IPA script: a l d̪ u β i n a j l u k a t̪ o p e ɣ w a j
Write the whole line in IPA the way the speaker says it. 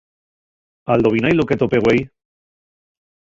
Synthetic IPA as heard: a l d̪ o β i n a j l o k e t̪ o p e ɣ w e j

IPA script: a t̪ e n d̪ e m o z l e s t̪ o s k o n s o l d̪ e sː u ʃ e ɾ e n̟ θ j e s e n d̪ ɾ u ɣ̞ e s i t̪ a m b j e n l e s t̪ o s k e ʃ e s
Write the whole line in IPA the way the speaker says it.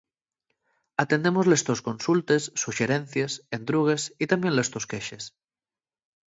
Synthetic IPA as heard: a t̪ e n d̪ e m o z l e s t̪ o s k o n s u l t̪ e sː u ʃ e ɾ e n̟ θ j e s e n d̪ ɾ u ɣ̞ e s i t̪ a m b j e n l e s t̪ o s k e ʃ e s

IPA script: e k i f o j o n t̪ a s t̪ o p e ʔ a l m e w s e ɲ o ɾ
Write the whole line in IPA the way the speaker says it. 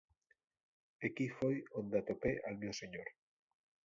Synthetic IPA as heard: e k i f o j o n d̪ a t̪ o p e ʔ a l m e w s e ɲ o ɾ

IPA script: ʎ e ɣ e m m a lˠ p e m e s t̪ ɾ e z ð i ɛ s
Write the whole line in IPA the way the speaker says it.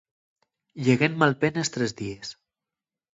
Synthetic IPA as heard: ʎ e ɣ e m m a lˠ p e n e s t̪ ɾ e z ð i e s

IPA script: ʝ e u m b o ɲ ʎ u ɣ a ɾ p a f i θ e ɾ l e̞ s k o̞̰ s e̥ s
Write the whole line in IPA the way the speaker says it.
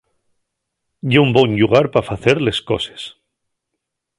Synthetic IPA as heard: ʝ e u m b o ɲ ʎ u ɣ a ɾ p a f a θ e ɾ l e̞ s k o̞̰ s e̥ s

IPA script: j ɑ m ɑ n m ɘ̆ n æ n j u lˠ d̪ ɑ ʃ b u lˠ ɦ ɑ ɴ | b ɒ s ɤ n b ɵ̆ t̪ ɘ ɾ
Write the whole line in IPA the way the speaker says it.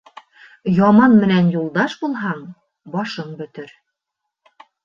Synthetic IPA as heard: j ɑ m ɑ n m ɘ̆ n æ n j u lˠ d̪ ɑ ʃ b u lˠ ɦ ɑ ɴ | b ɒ ʃ ɤ ɴ b ɵ̆ t̪ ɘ ɾ

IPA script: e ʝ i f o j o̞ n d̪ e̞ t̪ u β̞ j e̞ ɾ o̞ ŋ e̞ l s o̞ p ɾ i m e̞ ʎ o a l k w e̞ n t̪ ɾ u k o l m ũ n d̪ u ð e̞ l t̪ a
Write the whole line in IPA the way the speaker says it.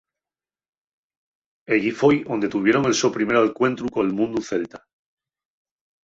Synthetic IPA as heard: e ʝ i f o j o̞ n d̪ e̞ t̪ u β̞ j e̞ ɾ o̞ ŋ e̞ l s o̞ p ɾ i m e̞ ɾ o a l k w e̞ n t̪ ɾ u k o l m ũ n d̪ u θ e̞ l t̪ a

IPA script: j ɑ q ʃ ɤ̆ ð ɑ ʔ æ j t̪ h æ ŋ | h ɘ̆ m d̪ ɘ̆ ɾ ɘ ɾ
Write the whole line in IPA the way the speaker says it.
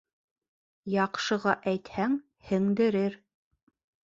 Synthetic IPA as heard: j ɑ q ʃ ɤ̆ ʁ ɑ ʔ æ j t̪ h æ ŋ | h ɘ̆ ŋ d̪ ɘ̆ ɾ ɘ ɾ

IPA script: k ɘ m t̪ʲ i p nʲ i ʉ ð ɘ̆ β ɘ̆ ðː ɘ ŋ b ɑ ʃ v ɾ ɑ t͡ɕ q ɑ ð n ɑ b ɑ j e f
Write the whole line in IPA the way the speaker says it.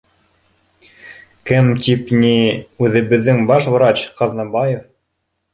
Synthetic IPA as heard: k ɘ m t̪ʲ i p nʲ i ʉ ð ɘ̆ β ɘ̆ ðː ɘ ŋ b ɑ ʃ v ɾ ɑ t͡ɕ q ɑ ð n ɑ b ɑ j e f

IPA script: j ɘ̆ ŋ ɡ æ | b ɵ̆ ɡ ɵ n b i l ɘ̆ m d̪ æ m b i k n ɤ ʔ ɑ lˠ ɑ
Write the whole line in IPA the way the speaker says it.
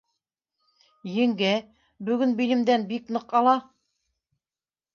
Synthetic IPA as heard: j ɘ̆ ŋ ɡ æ | b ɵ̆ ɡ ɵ n b i l ɘ̆ m d̪ æ n b i k n ɤ q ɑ lˠ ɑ

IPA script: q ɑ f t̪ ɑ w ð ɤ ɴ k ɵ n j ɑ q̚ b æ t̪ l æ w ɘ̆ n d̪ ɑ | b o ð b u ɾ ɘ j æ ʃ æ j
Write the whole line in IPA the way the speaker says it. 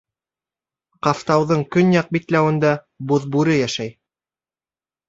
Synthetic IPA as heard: q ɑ f t̪ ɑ w ð ɤ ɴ k ɵ n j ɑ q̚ b i t̪ l æ w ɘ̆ n d̪ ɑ | b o ð b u ɾ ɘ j æ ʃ æ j

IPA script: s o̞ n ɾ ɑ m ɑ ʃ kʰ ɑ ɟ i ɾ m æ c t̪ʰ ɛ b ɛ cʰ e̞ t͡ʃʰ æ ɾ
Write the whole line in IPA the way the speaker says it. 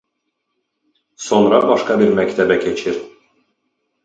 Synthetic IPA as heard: s o̞ n ɾ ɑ b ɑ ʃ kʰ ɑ b i ɾ m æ c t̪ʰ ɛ b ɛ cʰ e̞ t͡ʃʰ i ɾ

